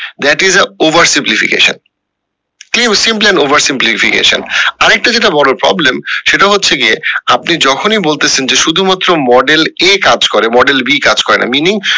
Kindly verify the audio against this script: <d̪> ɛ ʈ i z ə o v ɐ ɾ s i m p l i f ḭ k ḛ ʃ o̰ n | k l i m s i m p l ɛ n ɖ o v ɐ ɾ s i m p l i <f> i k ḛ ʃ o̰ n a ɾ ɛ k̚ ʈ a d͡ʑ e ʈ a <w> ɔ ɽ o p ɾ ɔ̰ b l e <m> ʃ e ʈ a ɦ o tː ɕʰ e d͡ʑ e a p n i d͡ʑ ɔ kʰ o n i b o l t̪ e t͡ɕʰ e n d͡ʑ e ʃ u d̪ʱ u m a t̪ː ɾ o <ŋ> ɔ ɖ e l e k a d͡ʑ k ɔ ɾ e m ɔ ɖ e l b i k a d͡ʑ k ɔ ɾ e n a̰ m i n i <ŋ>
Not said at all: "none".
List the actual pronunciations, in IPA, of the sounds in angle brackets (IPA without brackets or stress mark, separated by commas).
d̪, f, b, m, m, ŋ